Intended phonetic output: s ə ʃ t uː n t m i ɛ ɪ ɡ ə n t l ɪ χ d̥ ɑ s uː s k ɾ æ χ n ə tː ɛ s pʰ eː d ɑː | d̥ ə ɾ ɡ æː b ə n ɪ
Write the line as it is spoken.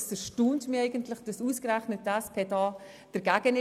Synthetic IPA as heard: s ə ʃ t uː n t m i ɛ ɪ ɡ ə n t l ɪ χ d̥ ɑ s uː s k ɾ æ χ n ə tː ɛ s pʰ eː d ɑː | d̥ ə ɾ ɡ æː ɡ ə n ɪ